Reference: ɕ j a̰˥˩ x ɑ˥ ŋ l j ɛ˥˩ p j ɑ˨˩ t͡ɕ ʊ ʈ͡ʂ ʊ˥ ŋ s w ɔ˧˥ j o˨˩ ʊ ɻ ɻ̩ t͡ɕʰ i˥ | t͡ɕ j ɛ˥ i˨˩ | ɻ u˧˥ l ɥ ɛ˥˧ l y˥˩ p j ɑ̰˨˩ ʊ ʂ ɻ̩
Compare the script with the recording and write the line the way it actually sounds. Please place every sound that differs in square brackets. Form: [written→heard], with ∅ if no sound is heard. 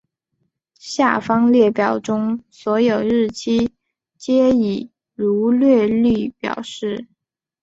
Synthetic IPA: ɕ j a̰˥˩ [x→f] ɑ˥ ŋ l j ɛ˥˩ p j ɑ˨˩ [t͡ɕ→∅] ʊ ʈ͡ʂ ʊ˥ ŋ s w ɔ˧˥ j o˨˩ ʊ ɻ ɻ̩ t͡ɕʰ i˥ | t͡ɕ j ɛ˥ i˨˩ | ɻ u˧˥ l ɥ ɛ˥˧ l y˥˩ p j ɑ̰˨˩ ʊ ʂ ɻ̩